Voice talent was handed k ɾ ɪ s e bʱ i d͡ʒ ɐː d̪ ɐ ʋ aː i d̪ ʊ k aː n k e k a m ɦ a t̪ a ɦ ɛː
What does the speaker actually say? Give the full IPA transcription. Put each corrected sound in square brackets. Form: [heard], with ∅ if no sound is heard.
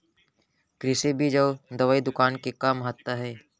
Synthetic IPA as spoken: k ɾ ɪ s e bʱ i d͡ʒ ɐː d̪ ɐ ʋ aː i d̪ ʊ k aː n k e k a m ɦ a t̪ a ɦ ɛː